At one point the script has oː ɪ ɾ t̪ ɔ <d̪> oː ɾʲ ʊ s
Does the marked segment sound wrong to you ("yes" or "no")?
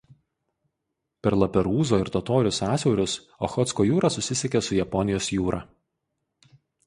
yes